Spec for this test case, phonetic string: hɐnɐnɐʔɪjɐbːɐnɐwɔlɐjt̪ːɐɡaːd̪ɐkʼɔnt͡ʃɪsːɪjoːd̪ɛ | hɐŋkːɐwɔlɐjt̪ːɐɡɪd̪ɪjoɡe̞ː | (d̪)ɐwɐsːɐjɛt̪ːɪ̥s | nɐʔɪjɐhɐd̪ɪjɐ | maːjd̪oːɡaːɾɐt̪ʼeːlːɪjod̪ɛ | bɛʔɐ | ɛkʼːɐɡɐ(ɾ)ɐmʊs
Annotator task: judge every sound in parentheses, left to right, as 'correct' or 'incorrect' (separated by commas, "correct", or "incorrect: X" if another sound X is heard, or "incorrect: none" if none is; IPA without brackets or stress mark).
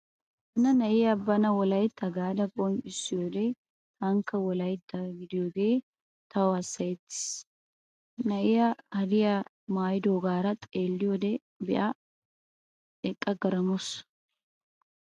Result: incorrect: t̪, correct